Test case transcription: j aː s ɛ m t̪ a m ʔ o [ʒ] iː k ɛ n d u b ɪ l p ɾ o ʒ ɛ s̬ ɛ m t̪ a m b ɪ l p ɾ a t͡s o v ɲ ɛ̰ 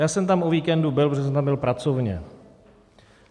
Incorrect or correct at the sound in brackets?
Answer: incorrect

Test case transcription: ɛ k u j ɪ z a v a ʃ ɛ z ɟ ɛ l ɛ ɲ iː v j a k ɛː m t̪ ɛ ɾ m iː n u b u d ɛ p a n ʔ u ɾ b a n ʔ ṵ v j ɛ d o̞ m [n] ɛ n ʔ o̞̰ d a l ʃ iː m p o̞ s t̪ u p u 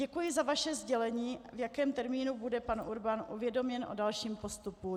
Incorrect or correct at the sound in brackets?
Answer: incorrect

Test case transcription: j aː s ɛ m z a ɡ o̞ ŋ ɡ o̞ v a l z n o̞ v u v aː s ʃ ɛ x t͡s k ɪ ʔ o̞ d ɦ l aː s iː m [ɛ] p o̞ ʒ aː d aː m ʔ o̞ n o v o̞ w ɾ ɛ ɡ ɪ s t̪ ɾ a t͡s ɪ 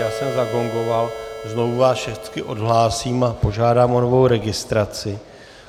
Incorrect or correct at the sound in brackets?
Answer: incorrect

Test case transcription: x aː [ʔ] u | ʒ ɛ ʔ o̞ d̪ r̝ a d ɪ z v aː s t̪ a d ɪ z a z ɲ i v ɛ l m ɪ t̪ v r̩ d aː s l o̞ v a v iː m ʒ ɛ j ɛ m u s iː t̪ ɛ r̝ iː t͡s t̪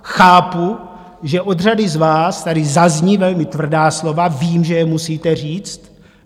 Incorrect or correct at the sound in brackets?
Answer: incorrect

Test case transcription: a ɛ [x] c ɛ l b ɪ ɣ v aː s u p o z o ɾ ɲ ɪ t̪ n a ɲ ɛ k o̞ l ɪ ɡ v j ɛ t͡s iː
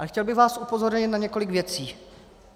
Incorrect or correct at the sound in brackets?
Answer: correct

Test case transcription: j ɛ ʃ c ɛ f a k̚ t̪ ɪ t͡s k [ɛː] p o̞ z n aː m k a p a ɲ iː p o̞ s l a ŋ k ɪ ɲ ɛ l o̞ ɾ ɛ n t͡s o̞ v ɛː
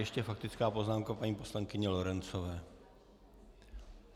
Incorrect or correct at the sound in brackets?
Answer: incorrect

